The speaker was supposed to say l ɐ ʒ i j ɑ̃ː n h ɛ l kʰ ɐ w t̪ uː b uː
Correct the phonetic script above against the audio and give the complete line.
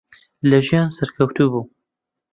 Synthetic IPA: l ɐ ʒ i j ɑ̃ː n s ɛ ɾ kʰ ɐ w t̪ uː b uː